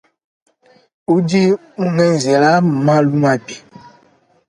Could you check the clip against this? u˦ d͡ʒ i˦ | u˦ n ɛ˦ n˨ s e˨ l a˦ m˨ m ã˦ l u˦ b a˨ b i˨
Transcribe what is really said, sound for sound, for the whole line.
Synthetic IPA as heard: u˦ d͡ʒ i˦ | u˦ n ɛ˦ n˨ z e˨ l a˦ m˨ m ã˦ l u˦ m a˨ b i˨